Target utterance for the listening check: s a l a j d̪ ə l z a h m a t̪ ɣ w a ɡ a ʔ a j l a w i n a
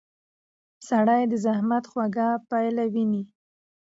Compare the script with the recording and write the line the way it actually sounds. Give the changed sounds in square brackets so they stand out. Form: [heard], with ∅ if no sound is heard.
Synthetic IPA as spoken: s a [ɽ] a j d̪ ə [∅] z a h m a t̪ [x] w a ɡ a [p] a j l a w i n [i]